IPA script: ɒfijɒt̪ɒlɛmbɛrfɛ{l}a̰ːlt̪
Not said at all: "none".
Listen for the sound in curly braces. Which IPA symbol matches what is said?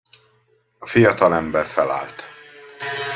l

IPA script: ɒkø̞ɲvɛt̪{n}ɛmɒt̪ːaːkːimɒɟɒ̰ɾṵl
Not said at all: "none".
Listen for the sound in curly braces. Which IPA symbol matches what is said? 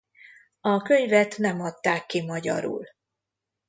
n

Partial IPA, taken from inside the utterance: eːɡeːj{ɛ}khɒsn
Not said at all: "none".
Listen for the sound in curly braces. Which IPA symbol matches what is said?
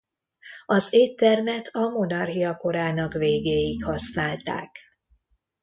i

